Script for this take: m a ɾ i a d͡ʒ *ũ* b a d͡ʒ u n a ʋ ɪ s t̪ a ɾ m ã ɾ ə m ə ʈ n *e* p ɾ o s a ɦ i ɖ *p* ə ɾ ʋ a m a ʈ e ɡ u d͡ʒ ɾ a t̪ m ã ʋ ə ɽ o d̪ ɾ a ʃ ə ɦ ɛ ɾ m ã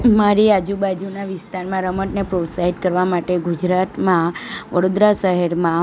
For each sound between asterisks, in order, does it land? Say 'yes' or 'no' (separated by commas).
no, yes, no